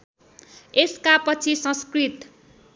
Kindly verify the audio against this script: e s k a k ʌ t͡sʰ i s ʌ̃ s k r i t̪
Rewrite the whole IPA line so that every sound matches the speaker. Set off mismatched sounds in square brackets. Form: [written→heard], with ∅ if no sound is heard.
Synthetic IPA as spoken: e s k a [k→p] ʌ t͡sʰ i s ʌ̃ s k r i t̪